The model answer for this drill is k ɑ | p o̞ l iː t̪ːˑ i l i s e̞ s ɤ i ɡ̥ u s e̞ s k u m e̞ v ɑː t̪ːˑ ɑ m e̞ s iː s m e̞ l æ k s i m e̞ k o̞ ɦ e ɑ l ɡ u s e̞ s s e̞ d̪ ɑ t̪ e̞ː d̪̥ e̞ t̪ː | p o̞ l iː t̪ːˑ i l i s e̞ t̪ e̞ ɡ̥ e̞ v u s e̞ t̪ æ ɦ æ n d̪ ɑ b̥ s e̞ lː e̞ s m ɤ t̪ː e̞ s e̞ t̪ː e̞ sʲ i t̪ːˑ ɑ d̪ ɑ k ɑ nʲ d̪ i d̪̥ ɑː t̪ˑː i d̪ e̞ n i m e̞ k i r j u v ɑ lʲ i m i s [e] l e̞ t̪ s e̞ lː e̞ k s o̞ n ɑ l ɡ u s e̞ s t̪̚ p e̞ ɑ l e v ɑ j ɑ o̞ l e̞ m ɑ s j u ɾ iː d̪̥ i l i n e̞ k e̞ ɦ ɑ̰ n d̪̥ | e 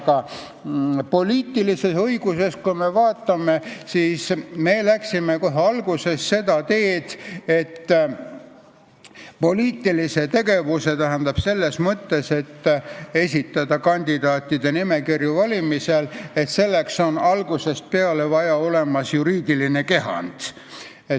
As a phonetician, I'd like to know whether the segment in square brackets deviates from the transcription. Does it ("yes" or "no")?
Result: no